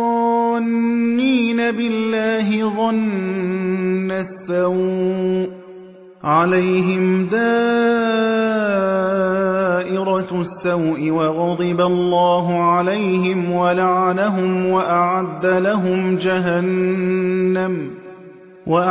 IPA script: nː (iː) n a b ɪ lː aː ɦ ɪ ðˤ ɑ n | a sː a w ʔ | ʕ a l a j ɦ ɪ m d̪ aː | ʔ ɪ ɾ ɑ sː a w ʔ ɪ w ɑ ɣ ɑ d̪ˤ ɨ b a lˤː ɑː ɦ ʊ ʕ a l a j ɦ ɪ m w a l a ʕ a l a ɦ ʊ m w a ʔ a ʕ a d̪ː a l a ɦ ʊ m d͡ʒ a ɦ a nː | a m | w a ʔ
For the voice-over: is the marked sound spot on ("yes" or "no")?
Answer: yes